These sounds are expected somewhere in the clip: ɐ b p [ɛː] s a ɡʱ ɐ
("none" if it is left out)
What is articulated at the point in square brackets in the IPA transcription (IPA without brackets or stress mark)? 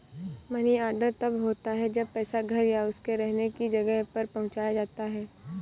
ɛː